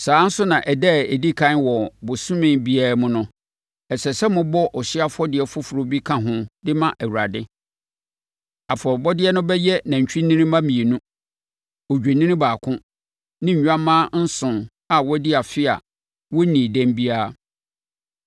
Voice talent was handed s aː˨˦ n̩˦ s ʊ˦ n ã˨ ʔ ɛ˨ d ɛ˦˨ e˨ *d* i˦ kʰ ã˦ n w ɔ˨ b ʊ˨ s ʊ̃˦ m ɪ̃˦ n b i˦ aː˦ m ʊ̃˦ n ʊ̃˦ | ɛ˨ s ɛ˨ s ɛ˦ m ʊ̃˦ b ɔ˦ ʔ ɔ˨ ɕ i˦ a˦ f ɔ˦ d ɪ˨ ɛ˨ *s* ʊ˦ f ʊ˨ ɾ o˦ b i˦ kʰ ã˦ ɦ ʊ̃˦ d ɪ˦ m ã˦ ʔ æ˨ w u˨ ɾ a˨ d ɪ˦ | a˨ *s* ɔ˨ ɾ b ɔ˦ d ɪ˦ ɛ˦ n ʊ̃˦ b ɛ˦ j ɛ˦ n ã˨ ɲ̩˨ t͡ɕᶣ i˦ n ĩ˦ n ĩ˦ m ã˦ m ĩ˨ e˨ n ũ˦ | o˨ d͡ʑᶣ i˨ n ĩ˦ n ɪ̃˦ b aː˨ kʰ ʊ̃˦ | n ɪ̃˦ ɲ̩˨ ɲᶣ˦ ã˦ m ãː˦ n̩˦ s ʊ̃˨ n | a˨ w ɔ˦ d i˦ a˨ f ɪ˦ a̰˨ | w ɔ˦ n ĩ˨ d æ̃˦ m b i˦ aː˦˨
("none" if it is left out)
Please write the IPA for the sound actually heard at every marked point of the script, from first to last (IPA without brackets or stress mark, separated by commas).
d, f, f